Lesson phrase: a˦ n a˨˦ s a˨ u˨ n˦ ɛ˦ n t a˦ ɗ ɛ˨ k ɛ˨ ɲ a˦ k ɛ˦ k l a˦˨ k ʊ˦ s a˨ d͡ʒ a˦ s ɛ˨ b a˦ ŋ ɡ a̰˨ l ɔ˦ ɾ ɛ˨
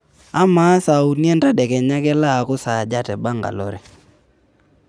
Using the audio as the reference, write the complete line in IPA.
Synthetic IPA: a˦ m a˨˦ s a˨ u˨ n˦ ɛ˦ n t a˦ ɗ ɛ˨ k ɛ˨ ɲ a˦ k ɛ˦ l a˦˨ k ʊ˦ s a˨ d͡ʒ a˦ t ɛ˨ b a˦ ŋ ɡ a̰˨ l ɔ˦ ɾ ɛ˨